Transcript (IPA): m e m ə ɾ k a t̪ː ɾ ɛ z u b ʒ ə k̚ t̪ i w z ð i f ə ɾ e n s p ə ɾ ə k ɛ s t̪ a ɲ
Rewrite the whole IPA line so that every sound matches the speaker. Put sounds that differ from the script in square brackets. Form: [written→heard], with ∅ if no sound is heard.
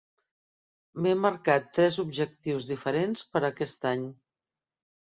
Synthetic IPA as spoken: m e m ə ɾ k a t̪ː ɾ ɛ z u b ʒ ə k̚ t̪ i w z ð i f ə ɾ e n s p ə ɾ ə k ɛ s t̪ a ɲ